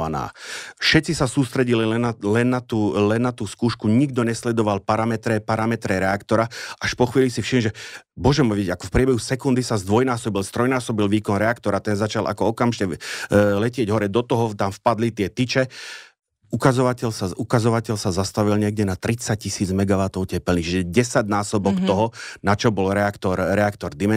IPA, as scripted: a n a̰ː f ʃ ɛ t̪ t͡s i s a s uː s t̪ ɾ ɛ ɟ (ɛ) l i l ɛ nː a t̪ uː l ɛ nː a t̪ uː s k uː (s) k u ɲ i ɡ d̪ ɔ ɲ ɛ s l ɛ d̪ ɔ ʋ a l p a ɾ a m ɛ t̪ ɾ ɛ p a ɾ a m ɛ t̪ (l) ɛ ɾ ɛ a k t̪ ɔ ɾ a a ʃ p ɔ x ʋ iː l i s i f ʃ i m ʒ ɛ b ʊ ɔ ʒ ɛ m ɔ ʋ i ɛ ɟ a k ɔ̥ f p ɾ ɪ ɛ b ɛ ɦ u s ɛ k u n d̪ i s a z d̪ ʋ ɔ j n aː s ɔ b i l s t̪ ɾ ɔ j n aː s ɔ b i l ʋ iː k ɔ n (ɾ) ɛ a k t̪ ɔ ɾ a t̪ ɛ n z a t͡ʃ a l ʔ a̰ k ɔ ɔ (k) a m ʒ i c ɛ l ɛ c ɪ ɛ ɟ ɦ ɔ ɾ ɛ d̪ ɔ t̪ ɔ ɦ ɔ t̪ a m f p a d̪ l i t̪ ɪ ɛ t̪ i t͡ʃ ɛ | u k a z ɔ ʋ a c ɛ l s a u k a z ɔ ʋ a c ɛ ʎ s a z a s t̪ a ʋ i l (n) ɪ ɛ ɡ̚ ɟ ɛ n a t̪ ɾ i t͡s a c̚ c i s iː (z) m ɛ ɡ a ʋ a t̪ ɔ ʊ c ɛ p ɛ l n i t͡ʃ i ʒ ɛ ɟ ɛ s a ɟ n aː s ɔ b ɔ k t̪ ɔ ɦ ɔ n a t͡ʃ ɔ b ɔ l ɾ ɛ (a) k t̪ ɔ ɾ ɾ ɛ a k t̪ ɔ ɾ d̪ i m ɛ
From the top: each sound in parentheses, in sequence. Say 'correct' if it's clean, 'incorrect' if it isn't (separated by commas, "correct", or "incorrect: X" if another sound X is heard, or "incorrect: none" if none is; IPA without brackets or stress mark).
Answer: incorrect: i, incorrect: ʃ, incorrect: ɾ, correct, correct, incorrect: ɲ, incorrect: d͡z, correct